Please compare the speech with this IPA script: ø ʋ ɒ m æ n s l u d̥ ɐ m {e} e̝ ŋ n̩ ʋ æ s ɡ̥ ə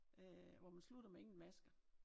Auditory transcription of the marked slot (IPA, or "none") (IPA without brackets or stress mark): e